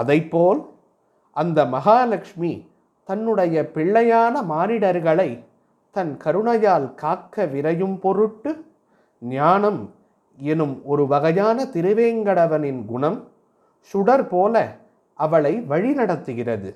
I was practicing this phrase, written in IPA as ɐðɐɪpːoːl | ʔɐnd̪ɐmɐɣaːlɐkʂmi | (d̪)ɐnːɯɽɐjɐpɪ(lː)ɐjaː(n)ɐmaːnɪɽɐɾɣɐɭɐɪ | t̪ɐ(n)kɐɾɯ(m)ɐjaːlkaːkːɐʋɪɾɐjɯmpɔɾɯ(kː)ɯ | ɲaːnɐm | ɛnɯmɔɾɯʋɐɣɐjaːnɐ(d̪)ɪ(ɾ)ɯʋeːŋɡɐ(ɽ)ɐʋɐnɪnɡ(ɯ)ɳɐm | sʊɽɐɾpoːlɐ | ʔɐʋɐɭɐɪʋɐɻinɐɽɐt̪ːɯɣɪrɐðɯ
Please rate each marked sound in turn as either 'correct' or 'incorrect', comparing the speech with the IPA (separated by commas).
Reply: incorrect, incorrect, correct, correct, incorrect, incorrect, incorrect, correct, correct, incorrect